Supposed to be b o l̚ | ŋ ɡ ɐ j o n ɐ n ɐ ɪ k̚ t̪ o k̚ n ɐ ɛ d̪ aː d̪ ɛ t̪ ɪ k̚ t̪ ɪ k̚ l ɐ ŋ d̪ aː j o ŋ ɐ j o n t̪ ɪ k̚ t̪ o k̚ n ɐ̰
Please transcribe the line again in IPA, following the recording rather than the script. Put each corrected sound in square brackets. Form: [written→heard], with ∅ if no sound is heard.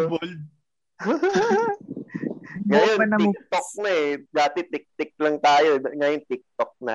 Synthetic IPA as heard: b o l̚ | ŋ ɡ ɐ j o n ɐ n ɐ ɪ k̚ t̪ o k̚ n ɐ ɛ d̪ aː [d̪→t̪] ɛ t̪ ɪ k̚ t̪ ɪ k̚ l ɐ ŋ [d̪→t̪] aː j o ŋ ɐ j o n t̪ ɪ k̚ t̪ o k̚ n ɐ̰